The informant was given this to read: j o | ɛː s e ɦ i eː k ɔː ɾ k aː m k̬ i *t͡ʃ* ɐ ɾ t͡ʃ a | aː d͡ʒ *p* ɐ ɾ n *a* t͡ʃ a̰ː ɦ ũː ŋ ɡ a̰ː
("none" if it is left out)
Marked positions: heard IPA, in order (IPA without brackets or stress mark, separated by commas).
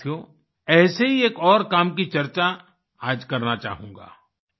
t͡ʃ, k, a